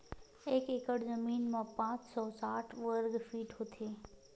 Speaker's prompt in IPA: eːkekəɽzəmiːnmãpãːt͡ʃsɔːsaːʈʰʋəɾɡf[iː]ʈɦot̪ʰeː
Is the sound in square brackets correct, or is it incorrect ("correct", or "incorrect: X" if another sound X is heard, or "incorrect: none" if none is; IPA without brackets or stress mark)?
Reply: correct